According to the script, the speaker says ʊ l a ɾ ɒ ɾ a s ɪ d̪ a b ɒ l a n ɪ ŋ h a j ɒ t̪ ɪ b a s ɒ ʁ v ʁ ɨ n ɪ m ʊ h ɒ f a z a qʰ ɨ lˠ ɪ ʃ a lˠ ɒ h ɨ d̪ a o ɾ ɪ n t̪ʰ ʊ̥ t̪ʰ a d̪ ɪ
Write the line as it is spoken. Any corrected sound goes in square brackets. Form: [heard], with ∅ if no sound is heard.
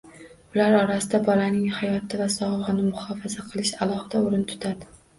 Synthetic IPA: ʊ l a ɾ ɒ ɾ a s ɪ d̪ a b ɒ l a n ɪ ŋ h a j ɒ t̪ ɪ [v] a s ɒ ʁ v ʁ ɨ n ɪ m ʊ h ɒ f a z a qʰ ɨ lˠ ɪ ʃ a lˠ ɒ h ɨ d̪ a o ɾ ɪ n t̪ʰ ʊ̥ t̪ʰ a d̪ ɪ